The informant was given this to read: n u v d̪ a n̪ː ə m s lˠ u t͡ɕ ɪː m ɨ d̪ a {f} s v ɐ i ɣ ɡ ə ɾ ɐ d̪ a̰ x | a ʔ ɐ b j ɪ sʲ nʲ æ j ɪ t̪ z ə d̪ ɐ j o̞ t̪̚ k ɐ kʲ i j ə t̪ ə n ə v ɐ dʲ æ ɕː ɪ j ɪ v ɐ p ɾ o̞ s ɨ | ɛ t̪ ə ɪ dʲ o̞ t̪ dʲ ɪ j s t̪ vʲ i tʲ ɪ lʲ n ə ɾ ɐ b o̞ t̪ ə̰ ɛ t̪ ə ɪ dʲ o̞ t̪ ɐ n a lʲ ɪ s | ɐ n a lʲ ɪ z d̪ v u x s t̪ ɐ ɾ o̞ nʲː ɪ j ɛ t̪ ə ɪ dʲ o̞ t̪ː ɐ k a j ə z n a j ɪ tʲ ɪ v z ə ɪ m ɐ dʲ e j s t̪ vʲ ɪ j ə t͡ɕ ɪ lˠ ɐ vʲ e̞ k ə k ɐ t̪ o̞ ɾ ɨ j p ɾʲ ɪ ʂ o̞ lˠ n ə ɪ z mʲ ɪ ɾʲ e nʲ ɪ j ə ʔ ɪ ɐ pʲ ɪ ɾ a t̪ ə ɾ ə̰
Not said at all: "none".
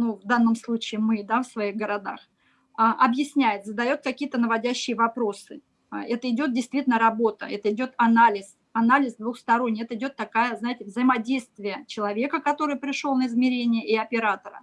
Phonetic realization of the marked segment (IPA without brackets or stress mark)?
f